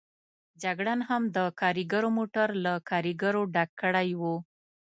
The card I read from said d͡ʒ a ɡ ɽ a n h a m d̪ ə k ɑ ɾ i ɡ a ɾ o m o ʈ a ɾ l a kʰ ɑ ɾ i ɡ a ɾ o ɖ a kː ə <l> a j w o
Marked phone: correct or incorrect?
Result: incorrect